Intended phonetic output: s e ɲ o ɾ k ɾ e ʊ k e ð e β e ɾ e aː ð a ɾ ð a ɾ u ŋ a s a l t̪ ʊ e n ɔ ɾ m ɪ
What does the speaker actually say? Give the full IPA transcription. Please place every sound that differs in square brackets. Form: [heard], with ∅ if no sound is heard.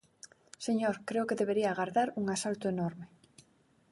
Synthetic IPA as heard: s e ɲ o ɾ k ɾ e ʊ k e ð e β e ɾ [i] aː [ɣ] a ɾ ð a ɾ u ŋ a s a l t̪ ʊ e n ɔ ɾ m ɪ